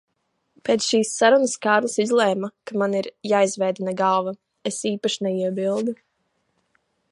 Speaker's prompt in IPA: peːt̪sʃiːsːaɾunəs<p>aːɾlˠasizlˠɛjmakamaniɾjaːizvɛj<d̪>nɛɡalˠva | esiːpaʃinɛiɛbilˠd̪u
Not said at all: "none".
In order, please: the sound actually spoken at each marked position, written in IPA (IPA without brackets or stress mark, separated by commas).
k, d̪